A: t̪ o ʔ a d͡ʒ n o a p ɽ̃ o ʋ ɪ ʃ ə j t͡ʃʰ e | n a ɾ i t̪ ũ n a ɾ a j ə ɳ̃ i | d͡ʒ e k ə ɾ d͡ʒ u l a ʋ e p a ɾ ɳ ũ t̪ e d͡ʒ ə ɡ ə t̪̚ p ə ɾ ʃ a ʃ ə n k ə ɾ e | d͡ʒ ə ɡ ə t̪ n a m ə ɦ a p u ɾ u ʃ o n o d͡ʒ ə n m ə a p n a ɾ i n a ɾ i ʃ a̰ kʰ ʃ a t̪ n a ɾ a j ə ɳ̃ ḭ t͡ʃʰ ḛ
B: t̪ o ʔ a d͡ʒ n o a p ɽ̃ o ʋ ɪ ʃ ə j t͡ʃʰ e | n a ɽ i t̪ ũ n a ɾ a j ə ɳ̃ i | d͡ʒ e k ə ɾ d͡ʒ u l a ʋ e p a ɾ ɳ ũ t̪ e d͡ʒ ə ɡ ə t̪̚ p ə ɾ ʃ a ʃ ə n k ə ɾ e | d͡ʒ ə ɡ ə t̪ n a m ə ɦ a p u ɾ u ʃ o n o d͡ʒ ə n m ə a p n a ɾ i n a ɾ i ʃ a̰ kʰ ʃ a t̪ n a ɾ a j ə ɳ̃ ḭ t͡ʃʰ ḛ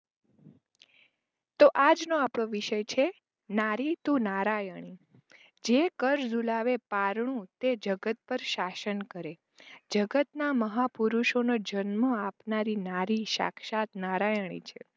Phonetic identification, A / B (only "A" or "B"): A